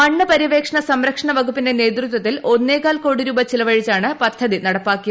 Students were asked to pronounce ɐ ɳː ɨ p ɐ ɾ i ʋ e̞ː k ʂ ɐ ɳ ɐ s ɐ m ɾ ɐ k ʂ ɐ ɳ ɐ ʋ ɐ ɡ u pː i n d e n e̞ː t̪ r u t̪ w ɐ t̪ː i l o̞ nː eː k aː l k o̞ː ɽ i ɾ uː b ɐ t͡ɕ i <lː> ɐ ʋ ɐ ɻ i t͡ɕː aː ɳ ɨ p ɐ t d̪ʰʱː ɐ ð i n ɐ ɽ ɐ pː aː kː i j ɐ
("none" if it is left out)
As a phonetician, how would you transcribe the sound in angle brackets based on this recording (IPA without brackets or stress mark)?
l